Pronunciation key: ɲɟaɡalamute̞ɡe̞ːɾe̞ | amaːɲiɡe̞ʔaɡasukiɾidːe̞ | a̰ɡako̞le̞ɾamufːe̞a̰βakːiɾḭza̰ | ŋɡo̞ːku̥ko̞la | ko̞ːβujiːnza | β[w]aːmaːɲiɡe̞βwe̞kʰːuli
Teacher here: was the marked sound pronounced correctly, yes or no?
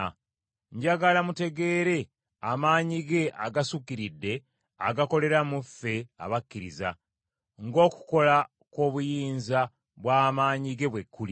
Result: yes